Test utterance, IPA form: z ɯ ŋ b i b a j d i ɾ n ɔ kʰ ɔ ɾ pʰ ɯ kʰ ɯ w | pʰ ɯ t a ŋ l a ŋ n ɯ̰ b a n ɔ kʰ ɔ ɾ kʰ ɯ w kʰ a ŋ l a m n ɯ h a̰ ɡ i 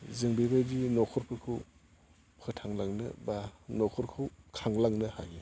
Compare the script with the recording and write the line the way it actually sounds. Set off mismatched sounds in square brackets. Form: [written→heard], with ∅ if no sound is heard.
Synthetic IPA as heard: z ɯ ŋ b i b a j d i [ɾ→∅] n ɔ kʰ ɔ ɾ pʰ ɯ kʰ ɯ w | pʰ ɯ [t→tʰ] a ŋ l a ŋ n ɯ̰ b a n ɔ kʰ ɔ ɾ kʰ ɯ w kʰ a ŋ l a [m→ŋ] n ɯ h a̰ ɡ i